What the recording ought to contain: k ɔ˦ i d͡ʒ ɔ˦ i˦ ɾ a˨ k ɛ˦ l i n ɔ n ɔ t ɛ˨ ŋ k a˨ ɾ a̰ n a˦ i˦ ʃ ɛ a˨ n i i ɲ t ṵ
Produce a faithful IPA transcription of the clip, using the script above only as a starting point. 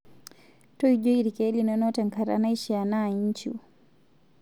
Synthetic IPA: t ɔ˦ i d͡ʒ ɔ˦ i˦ ɾ i˨ k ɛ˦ l i n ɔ n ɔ t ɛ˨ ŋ k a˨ ɾ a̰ n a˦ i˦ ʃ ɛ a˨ n a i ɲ t͡ʃ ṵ